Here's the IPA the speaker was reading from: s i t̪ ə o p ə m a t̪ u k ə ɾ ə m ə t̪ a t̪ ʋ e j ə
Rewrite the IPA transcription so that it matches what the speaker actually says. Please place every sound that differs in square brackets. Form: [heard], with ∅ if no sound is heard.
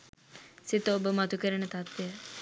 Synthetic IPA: s i t̪ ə o [b] ə m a t̪ u k ə ɾ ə [n] ə t̪ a t̪ ʋ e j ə